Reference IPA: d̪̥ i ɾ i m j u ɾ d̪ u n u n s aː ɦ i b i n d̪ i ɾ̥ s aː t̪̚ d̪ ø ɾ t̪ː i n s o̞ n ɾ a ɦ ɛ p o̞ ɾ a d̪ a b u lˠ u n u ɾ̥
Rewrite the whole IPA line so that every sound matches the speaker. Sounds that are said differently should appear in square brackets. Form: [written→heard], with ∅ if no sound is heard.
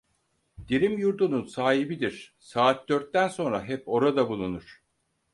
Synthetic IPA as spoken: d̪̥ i ɾ i m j u ɾ d̪ u n u n s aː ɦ i b i [n→∅] d̪ i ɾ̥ s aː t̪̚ d̪ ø ɾ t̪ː [i→æ] n s o̞ n ɾ a ɦ ɛ p o̞ ɾ a d̪ a b u lˠ u n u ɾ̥